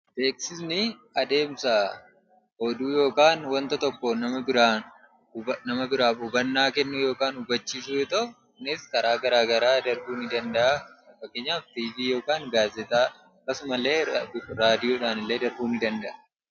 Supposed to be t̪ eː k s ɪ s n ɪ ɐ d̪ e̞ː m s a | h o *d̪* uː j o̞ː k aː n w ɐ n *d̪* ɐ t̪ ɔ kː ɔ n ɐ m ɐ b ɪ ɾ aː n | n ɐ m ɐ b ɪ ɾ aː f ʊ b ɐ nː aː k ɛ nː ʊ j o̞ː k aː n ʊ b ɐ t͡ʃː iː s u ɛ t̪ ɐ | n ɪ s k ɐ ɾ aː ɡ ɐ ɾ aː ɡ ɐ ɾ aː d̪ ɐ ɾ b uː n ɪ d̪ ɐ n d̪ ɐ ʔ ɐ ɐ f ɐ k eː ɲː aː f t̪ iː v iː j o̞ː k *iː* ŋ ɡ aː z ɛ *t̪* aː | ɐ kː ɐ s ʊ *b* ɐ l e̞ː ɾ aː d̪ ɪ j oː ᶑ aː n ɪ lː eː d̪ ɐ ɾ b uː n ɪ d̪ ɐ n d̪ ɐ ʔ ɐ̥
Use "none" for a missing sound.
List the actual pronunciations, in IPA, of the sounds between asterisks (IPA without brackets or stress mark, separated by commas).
d̪, t̪, aː, t̪, m